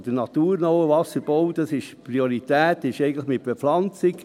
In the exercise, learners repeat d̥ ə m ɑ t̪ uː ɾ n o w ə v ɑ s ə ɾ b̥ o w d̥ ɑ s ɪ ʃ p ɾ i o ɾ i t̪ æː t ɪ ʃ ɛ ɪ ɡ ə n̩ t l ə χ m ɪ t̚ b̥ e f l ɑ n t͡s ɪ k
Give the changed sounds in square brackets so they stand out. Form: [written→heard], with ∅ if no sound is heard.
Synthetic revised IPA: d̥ ə [m→n] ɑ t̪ uː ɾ n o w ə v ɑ s ə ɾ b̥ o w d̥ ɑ s ɪ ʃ p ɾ i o ɾ i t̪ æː t ɪ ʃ ɛ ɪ ɡ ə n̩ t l ə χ m ɪ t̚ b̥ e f l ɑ n t͡s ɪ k